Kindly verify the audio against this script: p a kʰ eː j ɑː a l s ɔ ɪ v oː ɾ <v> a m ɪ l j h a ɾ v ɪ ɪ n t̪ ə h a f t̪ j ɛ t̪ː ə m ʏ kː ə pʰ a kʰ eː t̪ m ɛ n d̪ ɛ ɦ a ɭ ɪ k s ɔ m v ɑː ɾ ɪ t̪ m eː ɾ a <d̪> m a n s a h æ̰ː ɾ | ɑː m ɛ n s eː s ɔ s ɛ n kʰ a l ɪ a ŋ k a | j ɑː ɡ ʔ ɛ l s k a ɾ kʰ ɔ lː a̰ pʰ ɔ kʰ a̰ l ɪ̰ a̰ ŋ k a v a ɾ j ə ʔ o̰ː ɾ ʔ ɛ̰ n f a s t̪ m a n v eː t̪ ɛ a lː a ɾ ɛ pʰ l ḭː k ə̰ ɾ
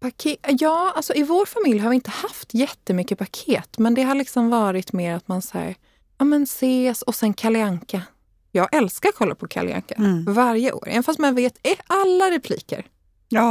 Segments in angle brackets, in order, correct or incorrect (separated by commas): incorrect, incorrect